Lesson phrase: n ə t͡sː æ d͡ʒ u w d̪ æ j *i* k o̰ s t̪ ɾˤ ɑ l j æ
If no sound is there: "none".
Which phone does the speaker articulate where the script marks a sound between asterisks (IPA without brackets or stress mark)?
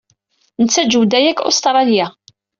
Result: æ